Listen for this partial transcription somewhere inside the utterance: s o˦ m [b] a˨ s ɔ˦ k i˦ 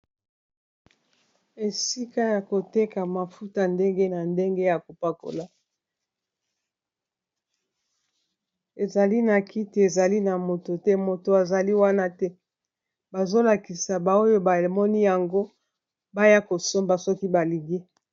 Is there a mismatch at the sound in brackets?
no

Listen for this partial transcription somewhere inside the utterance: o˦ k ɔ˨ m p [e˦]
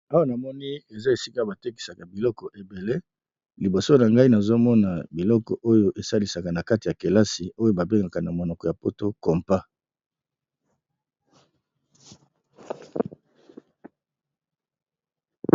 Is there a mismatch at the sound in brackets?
yes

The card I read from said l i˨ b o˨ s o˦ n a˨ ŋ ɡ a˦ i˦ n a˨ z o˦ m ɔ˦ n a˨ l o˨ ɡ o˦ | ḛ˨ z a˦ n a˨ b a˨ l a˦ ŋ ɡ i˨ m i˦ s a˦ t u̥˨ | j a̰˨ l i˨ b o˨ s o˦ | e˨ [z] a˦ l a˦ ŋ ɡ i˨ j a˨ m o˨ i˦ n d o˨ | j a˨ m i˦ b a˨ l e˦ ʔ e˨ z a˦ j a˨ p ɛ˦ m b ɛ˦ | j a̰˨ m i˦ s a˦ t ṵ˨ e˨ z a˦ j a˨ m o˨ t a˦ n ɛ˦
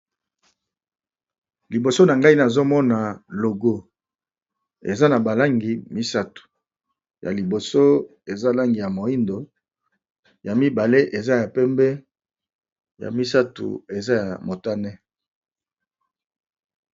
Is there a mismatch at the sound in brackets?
no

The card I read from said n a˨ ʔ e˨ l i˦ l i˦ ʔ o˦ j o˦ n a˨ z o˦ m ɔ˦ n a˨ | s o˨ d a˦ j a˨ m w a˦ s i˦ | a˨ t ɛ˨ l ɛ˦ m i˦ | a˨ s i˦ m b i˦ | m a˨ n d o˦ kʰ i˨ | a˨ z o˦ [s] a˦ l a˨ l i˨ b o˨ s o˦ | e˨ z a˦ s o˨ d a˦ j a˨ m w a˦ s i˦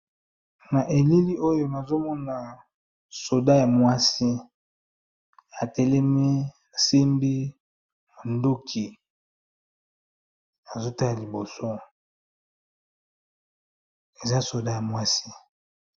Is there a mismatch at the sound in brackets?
yes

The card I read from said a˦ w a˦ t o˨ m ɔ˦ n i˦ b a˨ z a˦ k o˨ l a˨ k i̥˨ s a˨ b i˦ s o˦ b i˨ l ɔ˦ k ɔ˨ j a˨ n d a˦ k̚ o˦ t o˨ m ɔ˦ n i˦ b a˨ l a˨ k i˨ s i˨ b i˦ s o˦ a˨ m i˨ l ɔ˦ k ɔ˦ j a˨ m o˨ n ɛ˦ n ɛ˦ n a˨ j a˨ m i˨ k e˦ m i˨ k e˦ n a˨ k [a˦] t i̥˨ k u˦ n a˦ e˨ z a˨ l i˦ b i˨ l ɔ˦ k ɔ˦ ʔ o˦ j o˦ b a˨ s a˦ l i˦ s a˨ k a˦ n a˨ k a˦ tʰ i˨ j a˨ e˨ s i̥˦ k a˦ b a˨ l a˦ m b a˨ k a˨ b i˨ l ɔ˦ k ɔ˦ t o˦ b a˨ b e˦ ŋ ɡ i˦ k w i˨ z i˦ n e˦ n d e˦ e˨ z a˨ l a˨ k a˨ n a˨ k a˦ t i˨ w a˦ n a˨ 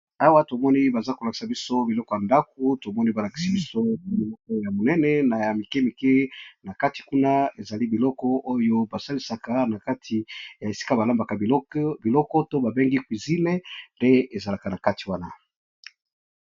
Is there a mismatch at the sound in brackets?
no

